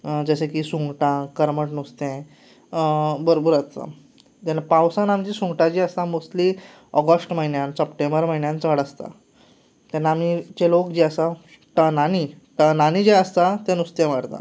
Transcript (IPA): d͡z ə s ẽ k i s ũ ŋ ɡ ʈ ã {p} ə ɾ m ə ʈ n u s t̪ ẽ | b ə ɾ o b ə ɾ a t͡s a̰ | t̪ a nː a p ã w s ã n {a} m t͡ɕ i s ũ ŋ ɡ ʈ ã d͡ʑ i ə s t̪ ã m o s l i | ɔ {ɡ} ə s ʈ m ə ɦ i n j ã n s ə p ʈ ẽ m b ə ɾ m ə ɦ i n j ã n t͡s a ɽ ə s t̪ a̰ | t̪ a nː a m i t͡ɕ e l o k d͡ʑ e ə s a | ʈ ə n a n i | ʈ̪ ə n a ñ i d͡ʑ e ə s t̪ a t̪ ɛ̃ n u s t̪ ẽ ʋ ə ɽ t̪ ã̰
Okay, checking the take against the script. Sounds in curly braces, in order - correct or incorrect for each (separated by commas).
incorrect, correct, correct